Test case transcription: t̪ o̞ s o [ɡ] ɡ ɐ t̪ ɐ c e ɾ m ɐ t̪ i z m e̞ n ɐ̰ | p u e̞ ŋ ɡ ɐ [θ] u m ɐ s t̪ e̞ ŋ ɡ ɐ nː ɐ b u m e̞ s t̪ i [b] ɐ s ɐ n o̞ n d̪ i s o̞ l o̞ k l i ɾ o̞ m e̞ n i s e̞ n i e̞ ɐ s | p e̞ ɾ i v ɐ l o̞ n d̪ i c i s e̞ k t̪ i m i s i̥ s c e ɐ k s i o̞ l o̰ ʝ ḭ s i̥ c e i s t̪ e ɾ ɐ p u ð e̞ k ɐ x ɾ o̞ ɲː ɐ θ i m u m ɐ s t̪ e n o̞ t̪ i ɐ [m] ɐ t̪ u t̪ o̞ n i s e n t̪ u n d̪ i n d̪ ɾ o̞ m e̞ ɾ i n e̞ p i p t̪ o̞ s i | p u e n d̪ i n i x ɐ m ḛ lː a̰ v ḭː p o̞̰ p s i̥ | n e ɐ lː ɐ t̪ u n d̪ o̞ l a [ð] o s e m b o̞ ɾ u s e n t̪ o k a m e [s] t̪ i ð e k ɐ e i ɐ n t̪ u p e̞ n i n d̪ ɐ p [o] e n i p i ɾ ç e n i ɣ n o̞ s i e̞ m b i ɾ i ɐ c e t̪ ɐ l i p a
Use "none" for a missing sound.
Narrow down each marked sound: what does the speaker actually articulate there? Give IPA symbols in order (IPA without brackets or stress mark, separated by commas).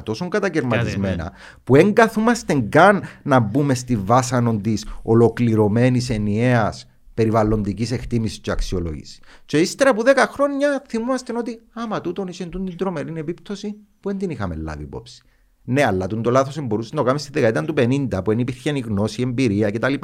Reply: ŋ, θ, v, m, θ, s, u